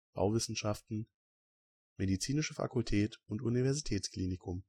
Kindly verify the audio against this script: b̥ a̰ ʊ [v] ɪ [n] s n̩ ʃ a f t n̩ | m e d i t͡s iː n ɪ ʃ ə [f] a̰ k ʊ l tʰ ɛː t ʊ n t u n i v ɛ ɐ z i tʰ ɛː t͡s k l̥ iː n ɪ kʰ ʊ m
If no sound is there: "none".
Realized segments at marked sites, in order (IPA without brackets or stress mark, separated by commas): v, none, f